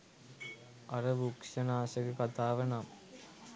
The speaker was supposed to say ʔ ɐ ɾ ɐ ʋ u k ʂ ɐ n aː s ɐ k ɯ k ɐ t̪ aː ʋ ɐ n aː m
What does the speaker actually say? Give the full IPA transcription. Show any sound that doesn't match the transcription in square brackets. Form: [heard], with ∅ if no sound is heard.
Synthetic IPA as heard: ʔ ɐ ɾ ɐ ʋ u k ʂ ɐ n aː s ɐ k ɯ k ɐ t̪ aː ʋ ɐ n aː m